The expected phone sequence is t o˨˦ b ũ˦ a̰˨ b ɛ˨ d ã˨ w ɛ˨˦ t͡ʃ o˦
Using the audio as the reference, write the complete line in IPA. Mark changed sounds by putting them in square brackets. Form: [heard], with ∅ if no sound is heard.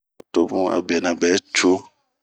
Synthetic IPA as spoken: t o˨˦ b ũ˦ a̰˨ b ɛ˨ [n] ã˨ [b] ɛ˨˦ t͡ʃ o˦